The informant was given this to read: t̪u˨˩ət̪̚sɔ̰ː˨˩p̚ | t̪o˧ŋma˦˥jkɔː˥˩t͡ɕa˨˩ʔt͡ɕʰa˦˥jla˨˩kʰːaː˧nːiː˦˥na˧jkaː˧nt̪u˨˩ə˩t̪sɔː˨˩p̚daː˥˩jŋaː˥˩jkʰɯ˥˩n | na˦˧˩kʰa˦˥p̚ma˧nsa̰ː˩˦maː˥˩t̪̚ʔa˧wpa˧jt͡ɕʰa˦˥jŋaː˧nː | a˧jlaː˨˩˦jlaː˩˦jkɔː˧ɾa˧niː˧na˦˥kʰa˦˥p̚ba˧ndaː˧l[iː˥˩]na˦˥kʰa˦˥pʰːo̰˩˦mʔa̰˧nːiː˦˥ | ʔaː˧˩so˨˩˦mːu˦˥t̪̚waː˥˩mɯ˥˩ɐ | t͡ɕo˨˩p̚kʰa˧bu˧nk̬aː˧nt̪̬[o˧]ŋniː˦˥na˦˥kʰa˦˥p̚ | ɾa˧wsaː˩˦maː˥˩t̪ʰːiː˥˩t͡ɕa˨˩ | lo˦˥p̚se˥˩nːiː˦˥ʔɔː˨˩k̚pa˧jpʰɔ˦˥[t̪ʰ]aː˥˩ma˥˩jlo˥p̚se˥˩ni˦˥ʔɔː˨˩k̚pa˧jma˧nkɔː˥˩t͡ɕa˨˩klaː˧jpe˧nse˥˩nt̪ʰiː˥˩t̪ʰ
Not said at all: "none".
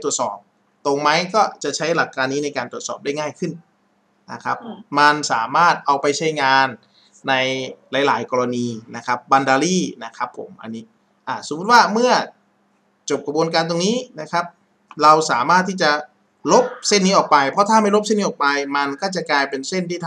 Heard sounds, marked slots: iː˥˩, o˧, t̪ʰ

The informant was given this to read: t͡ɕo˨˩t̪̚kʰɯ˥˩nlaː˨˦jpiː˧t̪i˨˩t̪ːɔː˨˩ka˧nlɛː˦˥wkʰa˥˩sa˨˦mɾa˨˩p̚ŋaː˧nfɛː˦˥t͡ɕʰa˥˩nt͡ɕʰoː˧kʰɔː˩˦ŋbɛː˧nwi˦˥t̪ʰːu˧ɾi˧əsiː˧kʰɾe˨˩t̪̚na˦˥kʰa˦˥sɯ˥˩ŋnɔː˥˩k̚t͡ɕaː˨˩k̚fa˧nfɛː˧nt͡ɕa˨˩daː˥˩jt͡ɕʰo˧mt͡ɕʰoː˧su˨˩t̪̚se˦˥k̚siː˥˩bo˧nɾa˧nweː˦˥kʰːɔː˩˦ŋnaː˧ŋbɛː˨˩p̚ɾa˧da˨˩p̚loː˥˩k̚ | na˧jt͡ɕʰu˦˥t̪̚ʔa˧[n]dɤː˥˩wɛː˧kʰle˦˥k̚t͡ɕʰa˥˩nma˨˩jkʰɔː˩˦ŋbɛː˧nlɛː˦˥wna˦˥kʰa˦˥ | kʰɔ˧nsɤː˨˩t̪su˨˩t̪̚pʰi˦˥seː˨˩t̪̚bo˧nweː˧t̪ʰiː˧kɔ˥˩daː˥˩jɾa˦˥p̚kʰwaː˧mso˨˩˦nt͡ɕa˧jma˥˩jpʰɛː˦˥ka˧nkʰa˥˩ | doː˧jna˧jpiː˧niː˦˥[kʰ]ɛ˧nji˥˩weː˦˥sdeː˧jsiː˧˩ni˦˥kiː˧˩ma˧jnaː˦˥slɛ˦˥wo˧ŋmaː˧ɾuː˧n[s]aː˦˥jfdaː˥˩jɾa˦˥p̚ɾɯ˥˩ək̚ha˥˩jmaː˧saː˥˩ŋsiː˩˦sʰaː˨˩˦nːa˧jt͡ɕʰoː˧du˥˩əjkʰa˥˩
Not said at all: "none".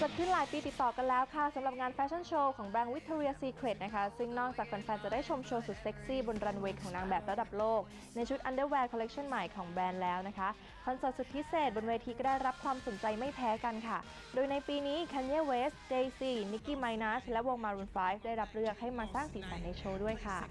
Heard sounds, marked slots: n, kʰ, f

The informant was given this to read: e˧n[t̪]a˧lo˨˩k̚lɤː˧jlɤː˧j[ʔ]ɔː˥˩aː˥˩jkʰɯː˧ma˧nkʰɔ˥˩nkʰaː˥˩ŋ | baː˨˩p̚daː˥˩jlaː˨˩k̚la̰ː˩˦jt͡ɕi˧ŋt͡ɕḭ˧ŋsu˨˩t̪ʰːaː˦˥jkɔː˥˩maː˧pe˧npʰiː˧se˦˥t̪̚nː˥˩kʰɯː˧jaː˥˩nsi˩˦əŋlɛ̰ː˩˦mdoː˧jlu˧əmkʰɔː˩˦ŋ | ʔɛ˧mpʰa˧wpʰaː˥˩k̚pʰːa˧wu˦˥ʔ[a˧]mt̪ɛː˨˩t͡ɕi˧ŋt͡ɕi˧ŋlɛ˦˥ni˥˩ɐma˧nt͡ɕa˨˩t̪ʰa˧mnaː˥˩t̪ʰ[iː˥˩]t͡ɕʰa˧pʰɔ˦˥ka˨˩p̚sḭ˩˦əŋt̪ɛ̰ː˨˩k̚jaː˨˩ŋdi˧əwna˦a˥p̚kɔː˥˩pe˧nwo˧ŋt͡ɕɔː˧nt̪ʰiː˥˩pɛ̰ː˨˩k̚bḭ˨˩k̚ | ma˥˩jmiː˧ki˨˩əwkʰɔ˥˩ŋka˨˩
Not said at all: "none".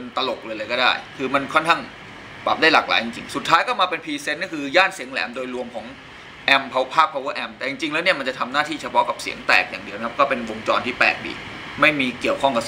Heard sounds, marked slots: t̪, k, ɛ˧, iː˥˩

